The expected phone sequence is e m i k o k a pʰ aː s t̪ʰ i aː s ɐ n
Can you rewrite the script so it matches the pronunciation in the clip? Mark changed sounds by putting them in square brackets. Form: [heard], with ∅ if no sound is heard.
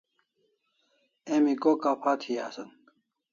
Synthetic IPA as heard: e m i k o k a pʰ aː [∅] t̪ʰ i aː s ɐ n